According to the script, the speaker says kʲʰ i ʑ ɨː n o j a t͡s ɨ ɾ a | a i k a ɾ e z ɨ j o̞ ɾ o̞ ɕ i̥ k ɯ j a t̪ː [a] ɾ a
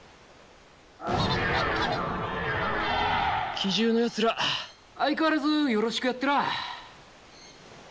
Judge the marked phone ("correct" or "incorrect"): incorrect